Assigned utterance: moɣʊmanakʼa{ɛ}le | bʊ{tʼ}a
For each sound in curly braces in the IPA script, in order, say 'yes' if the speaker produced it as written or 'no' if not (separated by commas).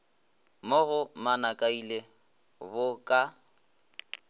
no, no